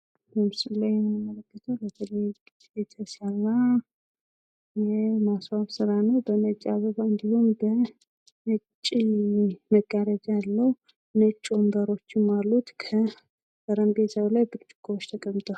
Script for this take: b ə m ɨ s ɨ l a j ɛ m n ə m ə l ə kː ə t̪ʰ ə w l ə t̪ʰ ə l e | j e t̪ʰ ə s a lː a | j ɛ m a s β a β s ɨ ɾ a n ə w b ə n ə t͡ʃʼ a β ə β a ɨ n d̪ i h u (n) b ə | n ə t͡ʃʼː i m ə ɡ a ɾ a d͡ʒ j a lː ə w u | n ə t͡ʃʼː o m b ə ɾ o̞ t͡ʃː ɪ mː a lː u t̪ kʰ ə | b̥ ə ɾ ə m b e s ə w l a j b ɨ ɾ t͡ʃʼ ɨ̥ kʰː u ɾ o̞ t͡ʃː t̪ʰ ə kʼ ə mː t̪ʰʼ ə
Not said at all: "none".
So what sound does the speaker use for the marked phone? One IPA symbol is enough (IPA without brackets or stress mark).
m